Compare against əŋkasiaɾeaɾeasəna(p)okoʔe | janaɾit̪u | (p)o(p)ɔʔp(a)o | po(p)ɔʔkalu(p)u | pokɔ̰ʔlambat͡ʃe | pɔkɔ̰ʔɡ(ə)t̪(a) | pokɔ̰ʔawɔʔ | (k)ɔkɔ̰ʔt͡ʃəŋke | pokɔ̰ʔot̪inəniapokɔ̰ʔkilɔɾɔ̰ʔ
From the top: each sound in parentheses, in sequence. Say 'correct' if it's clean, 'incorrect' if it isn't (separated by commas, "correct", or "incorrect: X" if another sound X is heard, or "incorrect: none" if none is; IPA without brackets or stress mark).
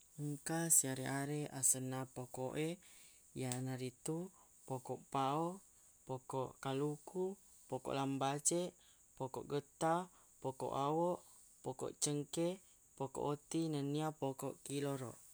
correct, correct, incorrect: k, correct, incorrect: k, incorrect: k, correct, correct, incorrect: p